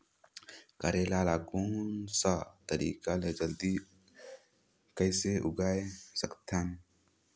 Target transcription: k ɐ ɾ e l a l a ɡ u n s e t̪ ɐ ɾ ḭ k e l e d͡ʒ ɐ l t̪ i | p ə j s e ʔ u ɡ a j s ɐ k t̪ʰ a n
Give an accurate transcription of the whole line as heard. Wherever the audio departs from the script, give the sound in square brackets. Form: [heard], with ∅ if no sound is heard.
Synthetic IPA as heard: k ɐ ɾ e l a l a ɡ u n s [a] t̪ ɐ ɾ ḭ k [a] l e d͡ʒ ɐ l [d̪] i | [k] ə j s e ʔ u ɡ a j s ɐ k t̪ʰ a n